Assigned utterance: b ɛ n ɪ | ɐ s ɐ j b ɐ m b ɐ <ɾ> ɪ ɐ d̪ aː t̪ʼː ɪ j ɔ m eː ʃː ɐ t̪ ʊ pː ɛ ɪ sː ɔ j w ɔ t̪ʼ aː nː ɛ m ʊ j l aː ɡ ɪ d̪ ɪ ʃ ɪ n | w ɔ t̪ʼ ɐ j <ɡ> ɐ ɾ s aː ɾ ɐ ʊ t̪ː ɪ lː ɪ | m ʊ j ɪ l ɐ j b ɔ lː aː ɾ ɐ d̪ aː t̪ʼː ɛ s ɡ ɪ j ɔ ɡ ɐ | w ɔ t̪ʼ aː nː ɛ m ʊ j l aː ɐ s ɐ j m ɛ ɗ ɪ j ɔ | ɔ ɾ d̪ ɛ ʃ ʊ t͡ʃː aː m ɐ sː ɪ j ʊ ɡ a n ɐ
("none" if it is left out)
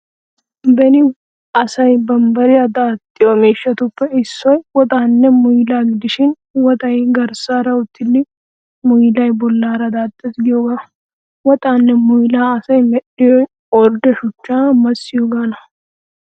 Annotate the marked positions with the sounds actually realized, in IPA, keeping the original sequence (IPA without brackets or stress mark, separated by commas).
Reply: ɾ, ɡ